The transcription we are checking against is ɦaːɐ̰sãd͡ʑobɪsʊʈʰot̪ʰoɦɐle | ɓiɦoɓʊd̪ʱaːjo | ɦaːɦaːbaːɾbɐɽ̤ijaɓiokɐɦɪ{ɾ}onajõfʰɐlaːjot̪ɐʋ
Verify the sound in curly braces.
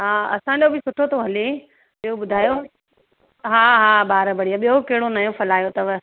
incorrect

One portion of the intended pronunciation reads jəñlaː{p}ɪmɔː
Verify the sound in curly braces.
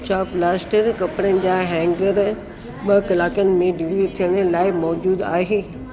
incorrect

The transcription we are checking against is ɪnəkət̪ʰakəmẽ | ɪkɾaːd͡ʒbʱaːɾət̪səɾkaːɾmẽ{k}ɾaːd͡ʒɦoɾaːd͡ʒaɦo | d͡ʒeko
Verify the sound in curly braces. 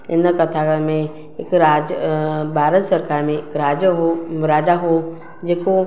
correct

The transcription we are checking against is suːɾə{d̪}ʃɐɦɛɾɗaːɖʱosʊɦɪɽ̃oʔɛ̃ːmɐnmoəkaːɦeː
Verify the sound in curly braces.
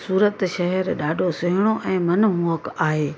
incorrect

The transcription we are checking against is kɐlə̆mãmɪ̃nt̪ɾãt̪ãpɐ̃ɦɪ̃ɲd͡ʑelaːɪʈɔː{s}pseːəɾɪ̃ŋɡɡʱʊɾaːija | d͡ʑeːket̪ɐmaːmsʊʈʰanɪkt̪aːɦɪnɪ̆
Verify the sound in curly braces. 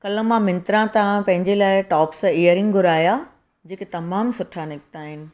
incorrect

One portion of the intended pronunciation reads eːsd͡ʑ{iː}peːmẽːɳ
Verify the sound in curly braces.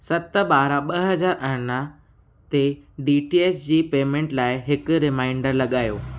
correct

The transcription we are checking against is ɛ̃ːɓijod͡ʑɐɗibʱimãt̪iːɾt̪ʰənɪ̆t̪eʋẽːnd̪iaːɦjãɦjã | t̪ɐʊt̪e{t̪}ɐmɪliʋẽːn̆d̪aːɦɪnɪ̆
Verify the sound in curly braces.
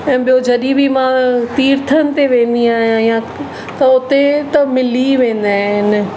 correct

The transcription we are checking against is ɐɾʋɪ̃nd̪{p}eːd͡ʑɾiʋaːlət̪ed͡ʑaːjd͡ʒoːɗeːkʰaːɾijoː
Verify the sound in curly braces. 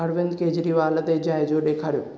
incorrect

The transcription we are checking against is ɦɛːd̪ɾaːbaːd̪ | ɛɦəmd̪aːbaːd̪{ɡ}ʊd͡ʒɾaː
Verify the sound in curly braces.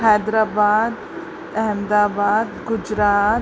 correct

